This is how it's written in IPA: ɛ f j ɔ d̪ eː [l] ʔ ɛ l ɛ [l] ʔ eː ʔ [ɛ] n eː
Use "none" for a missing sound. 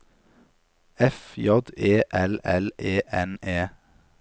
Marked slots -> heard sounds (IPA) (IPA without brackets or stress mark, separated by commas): none, l, ɛ